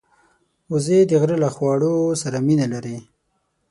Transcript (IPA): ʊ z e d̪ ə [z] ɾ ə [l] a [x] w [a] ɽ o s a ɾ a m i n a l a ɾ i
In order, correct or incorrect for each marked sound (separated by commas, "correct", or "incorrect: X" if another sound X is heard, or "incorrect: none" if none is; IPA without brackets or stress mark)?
incorrect: ɣ, correct, correct, incorrect: ɑ